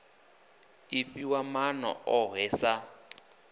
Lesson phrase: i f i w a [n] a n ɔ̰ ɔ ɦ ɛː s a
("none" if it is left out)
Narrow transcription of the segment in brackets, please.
m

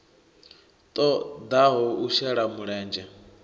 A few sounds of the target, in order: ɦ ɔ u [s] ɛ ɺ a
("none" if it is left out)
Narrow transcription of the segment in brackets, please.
ʃ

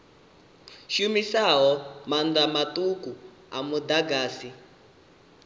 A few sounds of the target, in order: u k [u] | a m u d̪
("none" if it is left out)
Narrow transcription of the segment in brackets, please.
u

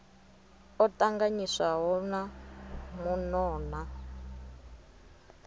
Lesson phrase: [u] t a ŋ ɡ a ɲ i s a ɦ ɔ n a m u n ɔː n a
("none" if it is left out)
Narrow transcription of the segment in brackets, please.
ɔ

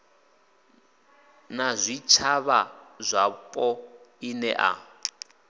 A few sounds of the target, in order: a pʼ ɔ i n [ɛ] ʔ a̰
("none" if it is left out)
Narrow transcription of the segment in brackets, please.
ɛ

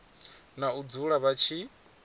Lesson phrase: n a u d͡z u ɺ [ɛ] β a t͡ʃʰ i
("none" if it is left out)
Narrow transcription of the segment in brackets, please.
a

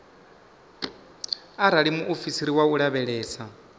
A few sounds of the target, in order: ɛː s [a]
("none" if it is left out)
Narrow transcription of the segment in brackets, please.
a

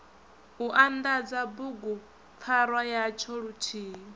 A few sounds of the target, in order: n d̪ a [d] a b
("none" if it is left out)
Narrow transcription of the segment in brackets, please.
d͡z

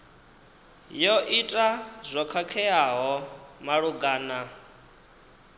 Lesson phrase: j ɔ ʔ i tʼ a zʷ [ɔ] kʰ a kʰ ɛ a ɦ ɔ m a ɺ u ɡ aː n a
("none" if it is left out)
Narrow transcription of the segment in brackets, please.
ɔ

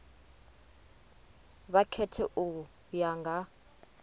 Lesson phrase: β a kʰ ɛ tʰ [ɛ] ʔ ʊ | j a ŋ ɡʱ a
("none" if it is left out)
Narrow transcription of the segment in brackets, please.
ɛ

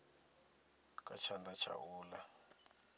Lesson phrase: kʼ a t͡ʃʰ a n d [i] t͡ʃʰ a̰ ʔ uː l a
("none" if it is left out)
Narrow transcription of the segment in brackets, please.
a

